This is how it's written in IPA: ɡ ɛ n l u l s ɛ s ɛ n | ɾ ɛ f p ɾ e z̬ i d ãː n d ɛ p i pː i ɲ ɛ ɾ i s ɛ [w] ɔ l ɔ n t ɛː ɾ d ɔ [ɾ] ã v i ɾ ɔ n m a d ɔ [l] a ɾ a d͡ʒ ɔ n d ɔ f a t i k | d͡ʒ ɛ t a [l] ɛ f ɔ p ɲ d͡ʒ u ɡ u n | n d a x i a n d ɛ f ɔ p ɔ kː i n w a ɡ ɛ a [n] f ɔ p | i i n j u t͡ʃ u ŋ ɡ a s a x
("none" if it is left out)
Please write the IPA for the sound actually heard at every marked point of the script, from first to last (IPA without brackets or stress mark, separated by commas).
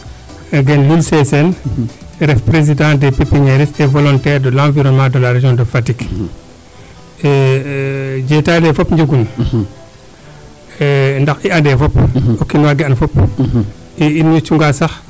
v, l, l, l, n